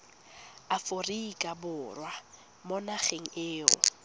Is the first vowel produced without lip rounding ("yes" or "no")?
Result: yes